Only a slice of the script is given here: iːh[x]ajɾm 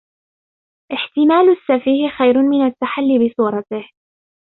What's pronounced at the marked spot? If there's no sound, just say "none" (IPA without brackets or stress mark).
x